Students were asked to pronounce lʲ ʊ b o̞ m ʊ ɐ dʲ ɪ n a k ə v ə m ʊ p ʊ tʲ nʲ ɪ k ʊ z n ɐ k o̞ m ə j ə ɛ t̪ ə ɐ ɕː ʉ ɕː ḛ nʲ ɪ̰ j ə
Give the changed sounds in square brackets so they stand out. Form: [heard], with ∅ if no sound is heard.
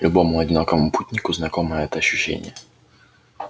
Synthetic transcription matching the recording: lʲ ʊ b o̞ m ʊ ɐ dʲ ɪ n a k ə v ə m ʊ p [u] tʲ nʲ ɪ k ʊ z n ɐ k o̞ m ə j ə ɛ t̪ ə ɐ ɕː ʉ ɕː ḛ nʲ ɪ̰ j ə